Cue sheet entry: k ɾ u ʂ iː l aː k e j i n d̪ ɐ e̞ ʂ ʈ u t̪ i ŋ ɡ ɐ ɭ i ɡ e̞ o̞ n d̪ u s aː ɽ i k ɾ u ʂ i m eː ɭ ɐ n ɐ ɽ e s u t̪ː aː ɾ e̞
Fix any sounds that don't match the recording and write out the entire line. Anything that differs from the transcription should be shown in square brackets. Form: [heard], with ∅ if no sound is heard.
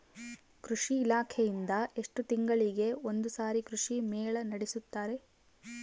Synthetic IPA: k ɾ u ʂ iː l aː [kʰ] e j i n d̪ ɐ e̞ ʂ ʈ u t̪ i ŋ ɡ ɐ ɭ i ɡ e̞ o̞ n d̪ u s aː [ɾ] i k ɾ u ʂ i m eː ɭ ɐ n ɐ ɽ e s u t̪ː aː ɾ e̞